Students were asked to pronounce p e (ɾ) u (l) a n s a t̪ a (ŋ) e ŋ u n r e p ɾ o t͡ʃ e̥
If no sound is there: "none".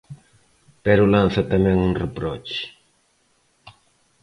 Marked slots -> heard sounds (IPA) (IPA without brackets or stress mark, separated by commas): ɾ, l, m